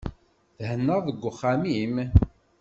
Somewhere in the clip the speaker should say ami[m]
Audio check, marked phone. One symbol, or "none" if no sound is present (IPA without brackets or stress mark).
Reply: m